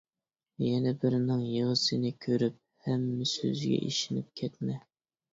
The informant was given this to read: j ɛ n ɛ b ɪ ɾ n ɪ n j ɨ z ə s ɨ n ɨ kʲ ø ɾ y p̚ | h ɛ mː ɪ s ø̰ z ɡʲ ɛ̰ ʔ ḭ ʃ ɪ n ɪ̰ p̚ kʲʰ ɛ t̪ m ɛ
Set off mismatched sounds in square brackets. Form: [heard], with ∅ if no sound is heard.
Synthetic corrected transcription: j ɛ n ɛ b ɪ ɾ n ɪ [ŋ] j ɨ [ʁ] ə s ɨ n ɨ [kʲʰ] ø ɾ y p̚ | h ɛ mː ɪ s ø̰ z ɡʲ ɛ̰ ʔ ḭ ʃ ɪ n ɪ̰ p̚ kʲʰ ɛ t̪ m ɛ